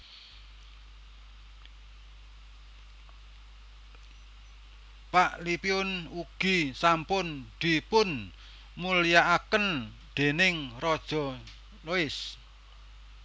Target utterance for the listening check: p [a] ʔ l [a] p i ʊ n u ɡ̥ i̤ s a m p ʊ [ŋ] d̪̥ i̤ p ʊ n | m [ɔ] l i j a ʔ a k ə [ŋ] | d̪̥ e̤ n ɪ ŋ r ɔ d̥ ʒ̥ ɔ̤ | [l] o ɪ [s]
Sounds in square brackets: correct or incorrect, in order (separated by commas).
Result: correct, incorrect, incorrect, incorrect, incorrect, correct, correct